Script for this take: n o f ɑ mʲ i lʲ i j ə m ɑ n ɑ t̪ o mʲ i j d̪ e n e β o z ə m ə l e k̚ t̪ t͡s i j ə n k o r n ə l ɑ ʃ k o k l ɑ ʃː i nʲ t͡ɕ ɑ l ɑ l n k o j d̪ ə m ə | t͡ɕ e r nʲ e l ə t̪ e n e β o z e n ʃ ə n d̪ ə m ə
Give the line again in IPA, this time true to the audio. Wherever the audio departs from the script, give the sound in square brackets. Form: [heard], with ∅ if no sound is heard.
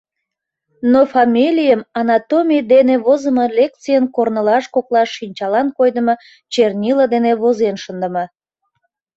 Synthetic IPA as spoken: n o f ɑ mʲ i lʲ i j ə m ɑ n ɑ t̪ o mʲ i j d̪ e n e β o z ə m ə l e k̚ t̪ t͡s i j ə n k o r n ə l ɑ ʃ k o k l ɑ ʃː i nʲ t͡ɕ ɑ l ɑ [∅] n k o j d̪ ə m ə | t͡ɕ e r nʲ [i] l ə [d̪] e n e β o z e n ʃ ə n d̪ ə m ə